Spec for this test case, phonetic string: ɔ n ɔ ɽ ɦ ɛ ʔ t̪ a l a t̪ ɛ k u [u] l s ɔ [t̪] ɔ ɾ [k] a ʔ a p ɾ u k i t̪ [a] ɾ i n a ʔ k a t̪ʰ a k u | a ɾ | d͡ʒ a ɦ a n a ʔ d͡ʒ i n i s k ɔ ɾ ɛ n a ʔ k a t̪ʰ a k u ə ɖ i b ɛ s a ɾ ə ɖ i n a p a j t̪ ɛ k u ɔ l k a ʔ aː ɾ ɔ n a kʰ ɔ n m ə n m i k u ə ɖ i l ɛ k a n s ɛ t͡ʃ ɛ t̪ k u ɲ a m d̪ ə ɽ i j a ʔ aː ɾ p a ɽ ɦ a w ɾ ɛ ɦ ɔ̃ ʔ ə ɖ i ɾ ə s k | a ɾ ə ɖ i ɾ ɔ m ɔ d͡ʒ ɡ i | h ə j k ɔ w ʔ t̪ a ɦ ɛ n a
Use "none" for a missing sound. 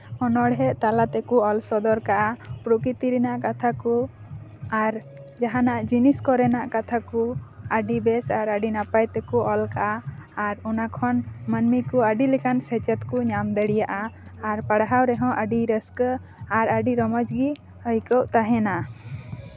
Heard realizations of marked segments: ɔ, d̪, k, i

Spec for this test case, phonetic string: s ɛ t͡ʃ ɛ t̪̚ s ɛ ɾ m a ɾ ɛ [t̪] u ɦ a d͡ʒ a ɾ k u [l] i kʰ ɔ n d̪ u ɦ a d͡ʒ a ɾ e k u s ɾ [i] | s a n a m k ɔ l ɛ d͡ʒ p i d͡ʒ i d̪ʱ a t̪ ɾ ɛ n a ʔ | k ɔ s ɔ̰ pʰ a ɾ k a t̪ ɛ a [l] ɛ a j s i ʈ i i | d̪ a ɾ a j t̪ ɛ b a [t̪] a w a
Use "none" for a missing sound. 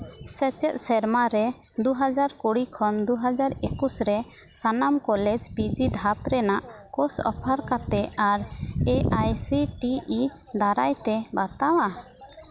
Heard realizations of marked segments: d̪, ɽ, ɛ, ɾ, t̪

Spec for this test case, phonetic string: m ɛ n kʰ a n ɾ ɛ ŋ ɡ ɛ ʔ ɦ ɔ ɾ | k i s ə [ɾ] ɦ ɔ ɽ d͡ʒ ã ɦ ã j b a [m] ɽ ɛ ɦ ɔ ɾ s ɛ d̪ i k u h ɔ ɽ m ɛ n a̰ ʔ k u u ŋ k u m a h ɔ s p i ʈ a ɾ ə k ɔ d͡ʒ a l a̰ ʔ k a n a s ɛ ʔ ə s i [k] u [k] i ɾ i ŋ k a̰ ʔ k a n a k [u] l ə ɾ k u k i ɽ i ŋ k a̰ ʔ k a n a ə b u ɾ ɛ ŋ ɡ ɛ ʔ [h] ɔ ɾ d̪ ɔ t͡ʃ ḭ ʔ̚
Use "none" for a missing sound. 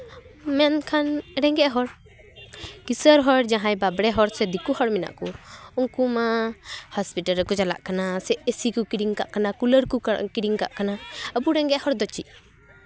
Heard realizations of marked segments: ɾ, b, k, k, u, h

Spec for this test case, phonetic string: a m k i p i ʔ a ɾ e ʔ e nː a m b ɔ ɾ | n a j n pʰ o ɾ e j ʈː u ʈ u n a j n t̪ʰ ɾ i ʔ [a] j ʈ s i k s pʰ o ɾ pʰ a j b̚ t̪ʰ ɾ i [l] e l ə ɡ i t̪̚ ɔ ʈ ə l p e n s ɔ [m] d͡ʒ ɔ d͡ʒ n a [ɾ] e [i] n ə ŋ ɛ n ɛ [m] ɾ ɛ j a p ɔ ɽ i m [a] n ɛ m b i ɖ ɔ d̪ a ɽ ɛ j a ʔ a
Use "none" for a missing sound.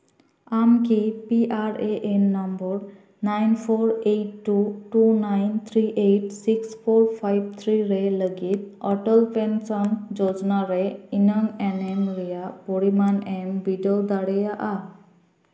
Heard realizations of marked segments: e, ɾ, n, ɾ, i, m, a

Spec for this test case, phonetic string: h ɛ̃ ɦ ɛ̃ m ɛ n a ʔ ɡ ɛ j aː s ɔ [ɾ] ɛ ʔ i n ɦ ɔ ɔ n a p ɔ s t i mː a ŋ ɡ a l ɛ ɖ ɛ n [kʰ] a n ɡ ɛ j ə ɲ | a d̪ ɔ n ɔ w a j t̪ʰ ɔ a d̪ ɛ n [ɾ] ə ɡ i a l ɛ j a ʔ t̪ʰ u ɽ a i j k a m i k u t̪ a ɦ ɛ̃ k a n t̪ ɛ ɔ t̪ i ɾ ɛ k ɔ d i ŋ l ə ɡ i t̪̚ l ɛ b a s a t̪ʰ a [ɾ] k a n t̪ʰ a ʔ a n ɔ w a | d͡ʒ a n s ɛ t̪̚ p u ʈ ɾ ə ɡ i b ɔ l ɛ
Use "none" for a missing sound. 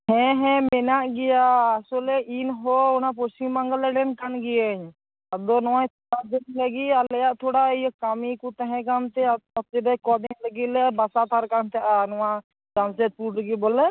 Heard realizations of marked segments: l, k, l, ɾ

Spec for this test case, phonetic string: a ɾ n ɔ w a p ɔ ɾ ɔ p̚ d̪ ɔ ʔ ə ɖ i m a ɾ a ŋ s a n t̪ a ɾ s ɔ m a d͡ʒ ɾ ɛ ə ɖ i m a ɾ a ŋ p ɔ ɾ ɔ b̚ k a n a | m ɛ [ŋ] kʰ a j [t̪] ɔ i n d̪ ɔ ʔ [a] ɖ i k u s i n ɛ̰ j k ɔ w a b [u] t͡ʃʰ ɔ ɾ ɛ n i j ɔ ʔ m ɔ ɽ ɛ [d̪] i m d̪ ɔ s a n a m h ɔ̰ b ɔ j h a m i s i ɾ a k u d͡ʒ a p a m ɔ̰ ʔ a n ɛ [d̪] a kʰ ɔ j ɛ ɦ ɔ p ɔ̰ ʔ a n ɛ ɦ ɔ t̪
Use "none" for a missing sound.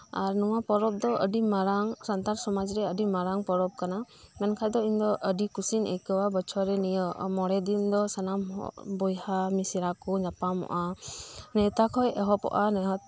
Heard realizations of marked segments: n, d̪, ə, ɔ, d̪, t̪

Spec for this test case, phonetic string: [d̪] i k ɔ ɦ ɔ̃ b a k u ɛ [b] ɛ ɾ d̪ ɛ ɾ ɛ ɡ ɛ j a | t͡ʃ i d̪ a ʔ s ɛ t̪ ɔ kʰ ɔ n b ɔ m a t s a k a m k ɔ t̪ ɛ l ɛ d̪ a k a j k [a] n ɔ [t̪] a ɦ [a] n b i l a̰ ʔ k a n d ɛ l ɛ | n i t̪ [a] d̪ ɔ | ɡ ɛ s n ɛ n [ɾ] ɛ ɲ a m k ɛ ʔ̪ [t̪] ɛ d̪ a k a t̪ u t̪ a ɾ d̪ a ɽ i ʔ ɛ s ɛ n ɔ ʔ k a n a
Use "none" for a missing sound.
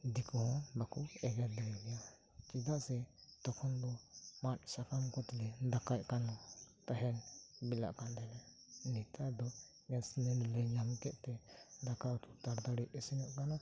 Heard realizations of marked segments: d̪, ɡ, a, t̪, ɛ, a, l, t̪

